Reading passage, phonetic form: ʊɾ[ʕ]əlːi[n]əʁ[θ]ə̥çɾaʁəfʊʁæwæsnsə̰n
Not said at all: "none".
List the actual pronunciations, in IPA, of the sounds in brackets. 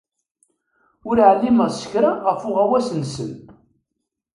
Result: ʕ, m, s

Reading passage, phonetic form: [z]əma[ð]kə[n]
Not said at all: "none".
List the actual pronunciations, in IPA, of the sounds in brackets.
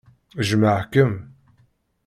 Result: ʒ, ʕ, m

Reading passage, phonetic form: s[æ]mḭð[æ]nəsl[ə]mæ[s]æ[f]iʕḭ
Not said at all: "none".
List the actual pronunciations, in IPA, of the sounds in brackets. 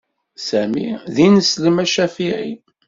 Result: æ, i, ə, ʃ, f

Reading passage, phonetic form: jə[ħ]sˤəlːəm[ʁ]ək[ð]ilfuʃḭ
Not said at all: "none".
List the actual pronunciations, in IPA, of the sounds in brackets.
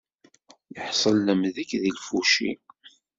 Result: ħ, ð, ð

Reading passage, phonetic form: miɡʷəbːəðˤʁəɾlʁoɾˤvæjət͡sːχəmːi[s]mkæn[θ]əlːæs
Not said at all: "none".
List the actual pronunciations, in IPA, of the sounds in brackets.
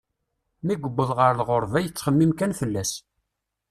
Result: none, f

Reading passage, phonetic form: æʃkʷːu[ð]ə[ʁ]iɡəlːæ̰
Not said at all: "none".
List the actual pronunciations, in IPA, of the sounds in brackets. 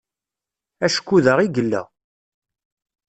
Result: ð, ʁ

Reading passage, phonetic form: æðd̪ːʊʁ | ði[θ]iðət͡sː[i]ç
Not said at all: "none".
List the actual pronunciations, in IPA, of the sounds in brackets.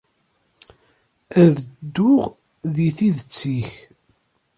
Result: θ, i

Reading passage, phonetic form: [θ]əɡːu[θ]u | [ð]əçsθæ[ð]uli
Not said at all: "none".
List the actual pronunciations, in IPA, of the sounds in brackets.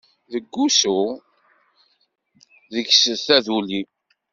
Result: ð, s, ð, ð

